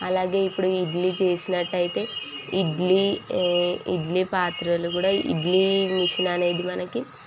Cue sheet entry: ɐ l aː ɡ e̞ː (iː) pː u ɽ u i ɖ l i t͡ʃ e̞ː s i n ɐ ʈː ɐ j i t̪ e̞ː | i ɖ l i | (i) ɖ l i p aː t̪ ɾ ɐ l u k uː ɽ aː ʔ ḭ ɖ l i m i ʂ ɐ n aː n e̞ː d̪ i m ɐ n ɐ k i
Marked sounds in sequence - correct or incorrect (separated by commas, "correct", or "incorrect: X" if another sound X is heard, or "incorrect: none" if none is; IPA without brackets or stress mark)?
incorrect: i, correct